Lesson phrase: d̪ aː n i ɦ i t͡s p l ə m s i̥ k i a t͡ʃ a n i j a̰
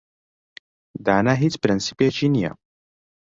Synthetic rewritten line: d̪ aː n a ɦ i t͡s p ɾ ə n s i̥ p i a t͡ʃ i n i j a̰